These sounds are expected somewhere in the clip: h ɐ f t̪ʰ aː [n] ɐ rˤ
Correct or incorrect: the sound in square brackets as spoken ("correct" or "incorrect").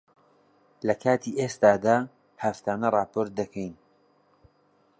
correct